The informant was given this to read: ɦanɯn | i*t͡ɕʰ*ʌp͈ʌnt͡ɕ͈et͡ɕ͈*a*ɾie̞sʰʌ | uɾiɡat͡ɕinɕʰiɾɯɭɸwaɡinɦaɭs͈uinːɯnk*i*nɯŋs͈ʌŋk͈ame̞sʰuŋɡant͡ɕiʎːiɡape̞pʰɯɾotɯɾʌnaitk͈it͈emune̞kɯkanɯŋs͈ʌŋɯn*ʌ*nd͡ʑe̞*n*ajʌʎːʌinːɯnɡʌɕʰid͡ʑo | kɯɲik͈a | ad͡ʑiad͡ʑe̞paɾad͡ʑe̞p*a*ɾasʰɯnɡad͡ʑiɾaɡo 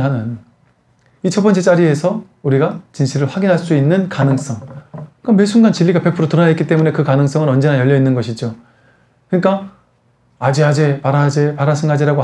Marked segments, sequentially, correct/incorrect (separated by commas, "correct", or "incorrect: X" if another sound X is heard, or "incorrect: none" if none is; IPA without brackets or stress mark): correct, correct, incorrect: a, correct, correct, correct